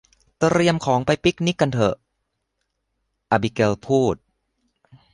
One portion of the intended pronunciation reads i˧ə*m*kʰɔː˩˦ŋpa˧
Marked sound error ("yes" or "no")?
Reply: no